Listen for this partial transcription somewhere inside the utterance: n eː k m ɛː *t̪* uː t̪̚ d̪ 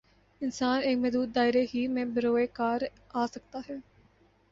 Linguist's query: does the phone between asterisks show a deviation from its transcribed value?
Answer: yes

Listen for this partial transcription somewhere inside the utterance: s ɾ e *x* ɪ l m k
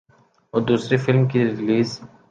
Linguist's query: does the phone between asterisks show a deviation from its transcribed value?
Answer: yes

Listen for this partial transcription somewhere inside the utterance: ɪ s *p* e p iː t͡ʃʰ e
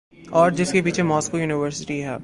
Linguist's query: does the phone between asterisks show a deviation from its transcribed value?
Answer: yes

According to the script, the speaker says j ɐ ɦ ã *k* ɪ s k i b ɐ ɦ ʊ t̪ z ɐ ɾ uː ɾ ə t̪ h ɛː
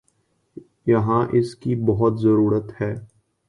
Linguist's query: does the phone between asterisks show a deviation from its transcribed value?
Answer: yes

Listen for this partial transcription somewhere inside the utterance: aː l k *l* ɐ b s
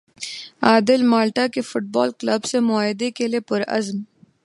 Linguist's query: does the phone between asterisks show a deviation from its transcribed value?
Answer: no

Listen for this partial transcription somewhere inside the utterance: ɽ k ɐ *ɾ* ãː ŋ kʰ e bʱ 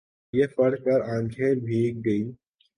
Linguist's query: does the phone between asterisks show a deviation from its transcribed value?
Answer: no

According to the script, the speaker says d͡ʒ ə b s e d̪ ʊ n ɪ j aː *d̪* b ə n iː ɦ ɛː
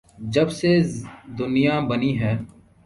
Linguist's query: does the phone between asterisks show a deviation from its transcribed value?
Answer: yes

